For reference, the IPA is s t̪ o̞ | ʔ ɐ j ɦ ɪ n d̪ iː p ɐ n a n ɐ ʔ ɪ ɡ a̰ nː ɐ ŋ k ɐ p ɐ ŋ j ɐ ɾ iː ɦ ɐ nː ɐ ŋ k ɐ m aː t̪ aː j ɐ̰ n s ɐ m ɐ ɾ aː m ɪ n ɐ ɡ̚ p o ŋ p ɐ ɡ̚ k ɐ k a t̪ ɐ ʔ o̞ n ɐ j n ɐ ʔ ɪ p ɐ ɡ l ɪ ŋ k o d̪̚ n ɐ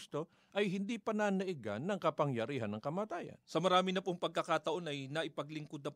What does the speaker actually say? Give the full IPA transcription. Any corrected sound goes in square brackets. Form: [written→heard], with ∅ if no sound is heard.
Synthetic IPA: s t̪ o̞ | ʔ ɐ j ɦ ɪ n d̪ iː p ɐ n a n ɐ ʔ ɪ ɡ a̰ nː ɐ ŋ k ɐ p ɐ ŋ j ɐ ɾ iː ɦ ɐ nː ɐ ŋ k ɐ m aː t̪ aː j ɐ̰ n s ɐ m ɐ ɾ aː m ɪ n ɐ [ɡ̚→∅] p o ŋ p ɐ ɡ̚ k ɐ k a t̪ ɐ ʔ o̞ n ɐ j n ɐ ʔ ɪ p ɐ ɡ l ɪ ŋ k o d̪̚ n ɐ